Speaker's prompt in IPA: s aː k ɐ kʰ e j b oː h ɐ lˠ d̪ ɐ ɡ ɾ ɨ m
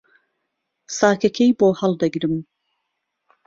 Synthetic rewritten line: s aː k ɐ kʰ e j b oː h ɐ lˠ d̪ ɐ ɡ ɾ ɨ m